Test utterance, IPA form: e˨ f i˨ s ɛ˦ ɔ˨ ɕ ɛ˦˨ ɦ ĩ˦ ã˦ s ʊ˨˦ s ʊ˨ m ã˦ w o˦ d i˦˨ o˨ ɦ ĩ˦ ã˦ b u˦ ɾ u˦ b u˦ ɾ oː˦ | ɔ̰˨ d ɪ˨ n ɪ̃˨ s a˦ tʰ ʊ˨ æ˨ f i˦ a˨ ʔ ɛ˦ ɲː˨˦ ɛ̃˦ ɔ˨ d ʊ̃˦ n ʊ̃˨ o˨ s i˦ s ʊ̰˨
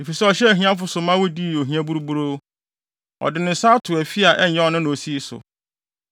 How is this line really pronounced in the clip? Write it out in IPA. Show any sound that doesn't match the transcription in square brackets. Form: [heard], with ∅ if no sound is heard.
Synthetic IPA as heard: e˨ f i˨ s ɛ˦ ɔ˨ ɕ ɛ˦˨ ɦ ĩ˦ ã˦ [f] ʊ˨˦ s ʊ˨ m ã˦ w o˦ d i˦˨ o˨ ɦ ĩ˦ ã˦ b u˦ ɾ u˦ b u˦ ɾ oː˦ | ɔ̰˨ d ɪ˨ n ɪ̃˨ s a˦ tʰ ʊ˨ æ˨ f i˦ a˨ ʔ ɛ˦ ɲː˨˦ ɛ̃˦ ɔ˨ [n] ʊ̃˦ n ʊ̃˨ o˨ s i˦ s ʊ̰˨